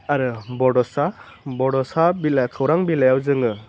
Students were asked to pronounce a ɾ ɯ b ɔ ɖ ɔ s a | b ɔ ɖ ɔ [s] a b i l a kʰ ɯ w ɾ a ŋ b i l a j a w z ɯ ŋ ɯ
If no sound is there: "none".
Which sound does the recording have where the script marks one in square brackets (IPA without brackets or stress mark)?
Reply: s